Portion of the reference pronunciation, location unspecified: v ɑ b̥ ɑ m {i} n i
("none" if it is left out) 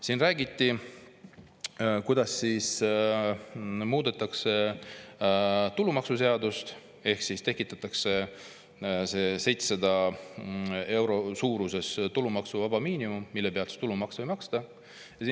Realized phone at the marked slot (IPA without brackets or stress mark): iː